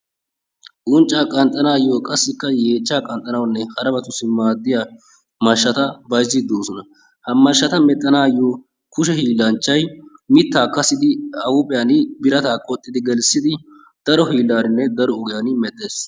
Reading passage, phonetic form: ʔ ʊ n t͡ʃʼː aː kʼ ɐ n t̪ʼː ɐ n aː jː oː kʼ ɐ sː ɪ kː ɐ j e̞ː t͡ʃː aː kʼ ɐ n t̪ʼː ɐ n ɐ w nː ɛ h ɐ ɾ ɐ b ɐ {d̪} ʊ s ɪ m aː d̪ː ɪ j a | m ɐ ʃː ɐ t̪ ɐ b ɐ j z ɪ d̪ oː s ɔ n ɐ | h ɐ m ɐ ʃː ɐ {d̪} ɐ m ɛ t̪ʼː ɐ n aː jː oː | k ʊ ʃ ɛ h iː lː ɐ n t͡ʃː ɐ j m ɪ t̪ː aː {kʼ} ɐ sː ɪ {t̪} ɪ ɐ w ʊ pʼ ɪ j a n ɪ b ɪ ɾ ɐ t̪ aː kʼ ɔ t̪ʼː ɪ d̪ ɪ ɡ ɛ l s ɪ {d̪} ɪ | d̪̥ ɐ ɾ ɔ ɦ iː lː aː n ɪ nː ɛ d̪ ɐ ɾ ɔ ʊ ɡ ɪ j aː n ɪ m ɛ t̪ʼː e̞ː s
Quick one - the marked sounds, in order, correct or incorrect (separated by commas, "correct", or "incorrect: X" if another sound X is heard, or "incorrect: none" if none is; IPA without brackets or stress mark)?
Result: incorrect: t̪, incorrect: t̪, incorrect: k, incorrect: d̪, correct